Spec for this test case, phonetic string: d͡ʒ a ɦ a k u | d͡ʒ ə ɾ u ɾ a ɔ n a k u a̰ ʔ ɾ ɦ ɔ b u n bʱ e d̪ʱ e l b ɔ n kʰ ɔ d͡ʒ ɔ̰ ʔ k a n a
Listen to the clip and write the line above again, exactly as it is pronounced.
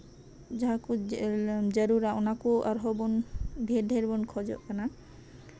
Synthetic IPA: d͡ʒ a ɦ a k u | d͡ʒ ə ɾ u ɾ a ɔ n a k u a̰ ɾ ɦ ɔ b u n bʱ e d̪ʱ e ɾ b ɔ n kʰ ɔ d͡ʒ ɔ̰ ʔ k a n a

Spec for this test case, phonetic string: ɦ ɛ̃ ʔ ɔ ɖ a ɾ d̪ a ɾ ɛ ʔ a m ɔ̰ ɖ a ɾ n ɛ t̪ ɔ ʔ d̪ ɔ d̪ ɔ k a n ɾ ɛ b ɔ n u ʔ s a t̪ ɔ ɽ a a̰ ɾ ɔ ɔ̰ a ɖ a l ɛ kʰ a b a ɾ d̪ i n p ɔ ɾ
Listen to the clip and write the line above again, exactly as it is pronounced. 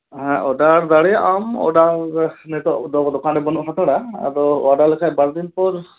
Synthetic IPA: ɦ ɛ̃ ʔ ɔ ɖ a ɾ d̪ a ɽ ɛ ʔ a m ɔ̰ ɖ a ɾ n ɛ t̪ ɔ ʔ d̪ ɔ d̪ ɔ k a n ɾ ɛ b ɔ n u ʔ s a t̪ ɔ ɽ a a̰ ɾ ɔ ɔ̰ a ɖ a l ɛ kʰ a b a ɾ d̪ i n p ɔ ɾ

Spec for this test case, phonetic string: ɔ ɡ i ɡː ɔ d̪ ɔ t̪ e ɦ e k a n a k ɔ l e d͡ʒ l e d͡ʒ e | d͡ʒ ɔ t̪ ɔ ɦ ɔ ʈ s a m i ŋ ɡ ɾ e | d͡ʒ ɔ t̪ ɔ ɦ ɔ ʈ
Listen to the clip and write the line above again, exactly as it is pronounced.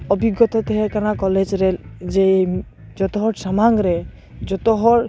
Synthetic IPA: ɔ b i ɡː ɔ t̪ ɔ t̪ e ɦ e k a n a k ɔ l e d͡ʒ ɾ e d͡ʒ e | d͡ʒ ɔ t̪ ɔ ɦ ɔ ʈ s a m a ŋ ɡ ɾ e | d͡ʒ ɔ t̪ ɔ ɦ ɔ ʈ

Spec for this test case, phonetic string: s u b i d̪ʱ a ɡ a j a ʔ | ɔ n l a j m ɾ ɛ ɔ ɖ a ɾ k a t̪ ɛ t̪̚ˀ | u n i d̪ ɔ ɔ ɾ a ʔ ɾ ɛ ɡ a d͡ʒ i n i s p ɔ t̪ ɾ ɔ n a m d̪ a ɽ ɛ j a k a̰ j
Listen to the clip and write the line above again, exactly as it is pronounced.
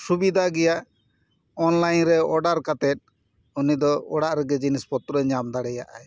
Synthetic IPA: s u b i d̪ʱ a ɡ ɛ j a ʔ | ɔ n l a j n ɾ ɛ ɔ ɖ a ɾ k a t̪ ɛ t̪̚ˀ | u n i d̪ ɔ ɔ ɽ a ʔ ɾ ɛ ɡ ɛ d͡ʒ i n i s p ɔ t̪ ɾ ɔ ɲ a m d̪ a ɽ ɛ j a ʔ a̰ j

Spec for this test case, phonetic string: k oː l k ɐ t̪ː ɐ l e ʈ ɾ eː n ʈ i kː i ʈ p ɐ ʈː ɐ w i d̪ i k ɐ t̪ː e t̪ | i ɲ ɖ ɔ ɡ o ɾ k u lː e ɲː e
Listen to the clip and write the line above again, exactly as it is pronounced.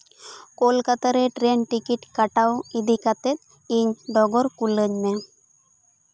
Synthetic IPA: k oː l k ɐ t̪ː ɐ ɾ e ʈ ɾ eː n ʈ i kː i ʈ k ɐ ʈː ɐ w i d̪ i k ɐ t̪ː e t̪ | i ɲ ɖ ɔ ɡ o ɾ k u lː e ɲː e

